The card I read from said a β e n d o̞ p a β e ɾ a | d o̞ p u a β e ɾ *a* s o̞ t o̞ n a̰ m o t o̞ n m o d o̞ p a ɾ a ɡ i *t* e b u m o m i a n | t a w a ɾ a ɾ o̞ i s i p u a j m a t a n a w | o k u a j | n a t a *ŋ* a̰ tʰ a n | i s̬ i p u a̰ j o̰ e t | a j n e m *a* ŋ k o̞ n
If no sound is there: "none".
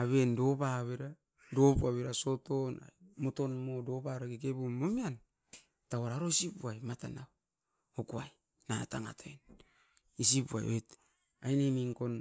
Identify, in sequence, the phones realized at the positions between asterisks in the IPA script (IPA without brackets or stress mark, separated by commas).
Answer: a, k, ŋ, i